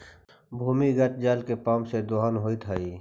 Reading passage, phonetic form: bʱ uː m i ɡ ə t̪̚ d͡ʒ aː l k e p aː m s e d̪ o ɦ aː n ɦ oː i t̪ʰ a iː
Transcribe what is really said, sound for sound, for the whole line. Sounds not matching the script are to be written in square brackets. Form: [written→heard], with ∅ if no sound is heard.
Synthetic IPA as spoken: bʱ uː m i ɡ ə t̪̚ d͡ʒ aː l k e p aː m s e d̪ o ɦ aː n ɦ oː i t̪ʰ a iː